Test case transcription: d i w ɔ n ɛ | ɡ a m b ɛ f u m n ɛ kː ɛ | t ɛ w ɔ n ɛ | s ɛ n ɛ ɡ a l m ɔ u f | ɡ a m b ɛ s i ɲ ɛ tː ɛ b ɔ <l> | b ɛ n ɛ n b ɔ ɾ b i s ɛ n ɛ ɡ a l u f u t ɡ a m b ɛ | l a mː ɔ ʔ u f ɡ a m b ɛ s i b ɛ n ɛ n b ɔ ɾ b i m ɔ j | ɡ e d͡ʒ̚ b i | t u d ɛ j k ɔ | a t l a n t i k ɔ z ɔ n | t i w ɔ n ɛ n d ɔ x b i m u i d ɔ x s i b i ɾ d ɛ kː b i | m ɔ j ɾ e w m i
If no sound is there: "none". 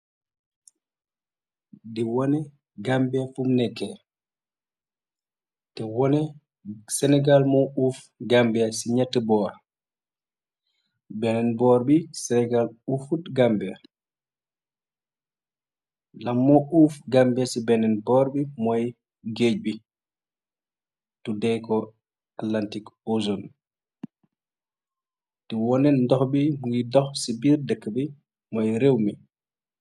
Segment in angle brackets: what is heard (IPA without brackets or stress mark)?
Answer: ɾ